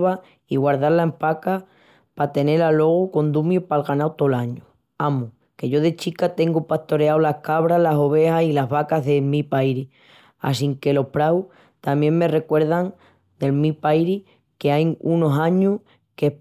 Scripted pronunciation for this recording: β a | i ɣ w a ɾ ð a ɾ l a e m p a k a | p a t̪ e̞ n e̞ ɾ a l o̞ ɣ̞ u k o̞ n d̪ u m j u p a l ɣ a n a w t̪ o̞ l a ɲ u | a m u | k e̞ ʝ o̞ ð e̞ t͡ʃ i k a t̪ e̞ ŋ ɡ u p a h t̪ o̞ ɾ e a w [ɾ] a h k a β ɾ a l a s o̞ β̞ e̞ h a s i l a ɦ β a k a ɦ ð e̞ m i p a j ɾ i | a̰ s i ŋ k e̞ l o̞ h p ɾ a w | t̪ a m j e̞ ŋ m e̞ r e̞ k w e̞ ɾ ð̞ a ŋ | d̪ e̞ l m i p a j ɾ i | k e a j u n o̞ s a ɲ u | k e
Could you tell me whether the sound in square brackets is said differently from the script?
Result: yes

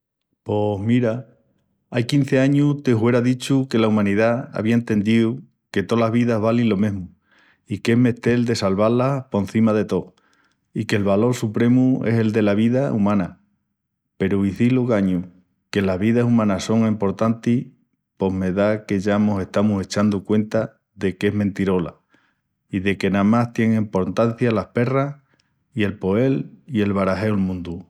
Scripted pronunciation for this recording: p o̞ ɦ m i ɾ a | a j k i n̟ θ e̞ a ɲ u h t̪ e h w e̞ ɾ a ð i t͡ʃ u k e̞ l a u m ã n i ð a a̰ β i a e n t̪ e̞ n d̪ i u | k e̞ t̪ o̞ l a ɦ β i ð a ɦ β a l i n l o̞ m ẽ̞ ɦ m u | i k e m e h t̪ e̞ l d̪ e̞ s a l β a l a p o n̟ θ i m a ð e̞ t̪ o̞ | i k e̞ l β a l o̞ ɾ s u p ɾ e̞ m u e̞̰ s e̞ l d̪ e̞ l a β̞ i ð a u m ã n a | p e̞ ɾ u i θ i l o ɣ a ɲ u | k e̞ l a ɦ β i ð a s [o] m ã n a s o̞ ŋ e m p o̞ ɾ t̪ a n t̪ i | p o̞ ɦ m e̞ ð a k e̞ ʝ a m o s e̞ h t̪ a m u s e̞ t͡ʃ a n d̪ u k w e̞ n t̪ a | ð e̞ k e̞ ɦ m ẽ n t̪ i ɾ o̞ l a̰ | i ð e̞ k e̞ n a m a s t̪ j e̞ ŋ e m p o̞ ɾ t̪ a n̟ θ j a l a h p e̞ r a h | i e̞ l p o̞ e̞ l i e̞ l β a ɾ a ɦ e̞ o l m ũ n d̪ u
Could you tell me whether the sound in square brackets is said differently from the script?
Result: yes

